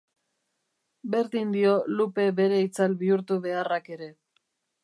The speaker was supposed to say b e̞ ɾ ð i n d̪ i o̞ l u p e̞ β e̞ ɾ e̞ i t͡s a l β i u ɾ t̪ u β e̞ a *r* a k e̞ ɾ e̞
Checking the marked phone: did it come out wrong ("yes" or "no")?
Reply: no